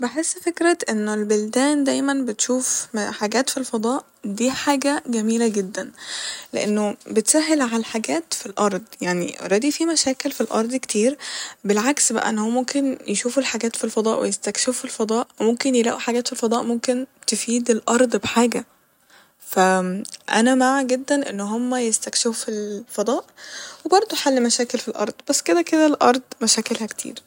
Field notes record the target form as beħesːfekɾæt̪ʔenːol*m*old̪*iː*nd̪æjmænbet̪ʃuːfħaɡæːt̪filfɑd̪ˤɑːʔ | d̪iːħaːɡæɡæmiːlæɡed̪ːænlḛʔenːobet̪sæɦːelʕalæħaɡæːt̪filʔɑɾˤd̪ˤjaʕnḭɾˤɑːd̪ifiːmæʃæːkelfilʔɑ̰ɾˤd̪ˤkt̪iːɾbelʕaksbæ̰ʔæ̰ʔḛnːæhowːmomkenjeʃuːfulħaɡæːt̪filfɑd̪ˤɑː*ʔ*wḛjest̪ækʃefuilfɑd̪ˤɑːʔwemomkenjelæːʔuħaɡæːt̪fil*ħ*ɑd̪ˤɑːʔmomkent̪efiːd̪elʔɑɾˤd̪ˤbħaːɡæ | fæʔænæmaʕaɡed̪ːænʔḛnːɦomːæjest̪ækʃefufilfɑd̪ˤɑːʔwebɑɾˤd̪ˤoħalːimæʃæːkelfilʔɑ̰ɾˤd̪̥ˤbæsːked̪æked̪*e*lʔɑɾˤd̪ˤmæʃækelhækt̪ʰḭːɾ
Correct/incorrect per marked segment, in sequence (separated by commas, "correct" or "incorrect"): incorrect, incorrect, correct, incorrect, incorrect